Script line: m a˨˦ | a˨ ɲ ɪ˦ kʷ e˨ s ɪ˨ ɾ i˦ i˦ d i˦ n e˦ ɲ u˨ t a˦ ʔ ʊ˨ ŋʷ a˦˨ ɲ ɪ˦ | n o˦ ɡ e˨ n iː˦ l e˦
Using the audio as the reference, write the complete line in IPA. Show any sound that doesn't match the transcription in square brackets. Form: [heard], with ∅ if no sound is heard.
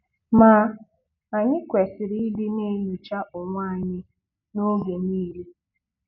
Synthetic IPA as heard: m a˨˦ | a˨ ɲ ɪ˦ kʷ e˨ s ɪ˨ ɾ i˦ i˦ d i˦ n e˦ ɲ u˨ [t͡ʃ] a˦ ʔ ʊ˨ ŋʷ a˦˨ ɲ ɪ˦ | n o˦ ɡ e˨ n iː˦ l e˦